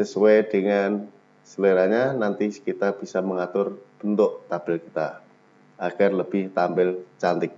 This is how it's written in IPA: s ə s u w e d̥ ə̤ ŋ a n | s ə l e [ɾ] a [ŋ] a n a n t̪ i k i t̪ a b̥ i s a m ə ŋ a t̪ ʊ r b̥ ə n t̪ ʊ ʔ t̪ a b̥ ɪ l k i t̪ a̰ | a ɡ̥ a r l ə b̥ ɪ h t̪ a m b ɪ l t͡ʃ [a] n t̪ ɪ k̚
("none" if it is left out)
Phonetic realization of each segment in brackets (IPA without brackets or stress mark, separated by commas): ɾ, ɲ, a